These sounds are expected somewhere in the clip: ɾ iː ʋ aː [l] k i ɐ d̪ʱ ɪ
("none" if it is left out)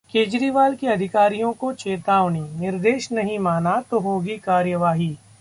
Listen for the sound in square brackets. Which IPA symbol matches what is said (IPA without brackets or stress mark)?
l